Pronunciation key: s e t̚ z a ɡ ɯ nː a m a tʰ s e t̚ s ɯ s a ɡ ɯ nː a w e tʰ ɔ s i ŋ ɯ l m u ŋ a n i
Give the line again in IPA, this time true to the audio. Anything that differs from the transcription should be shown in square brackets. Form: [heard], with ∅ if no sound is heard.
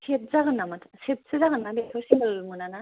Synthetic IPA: s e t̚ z a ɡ ɯ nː a m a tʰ s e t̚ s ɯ [z] a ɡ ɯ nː a [b] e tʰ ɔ s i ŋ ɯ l m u [n] a n [a]